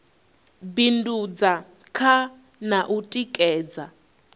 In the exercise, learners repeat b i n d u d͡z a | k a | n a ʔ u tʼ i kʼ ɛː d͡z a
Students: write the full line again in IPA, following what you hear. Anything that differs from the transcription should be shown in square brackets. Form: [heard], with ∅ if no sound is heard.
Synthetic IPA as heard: b i n d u d͡z a | [kʰ] a | n a ʔ u tʼ i kʼ ɛː d͡z a